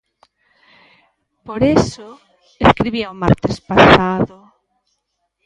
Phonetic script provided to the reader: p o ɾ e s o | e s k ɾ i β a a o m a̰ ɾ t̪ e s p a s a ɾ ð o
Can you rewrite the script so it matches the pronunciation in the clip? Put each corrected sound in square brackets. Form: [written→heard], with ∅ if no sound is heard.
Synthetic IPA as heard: p o ɾ e s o | e s k ɾ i β [a→i] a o m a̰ ɾ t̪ e s p a s a [ɾ→∅] ð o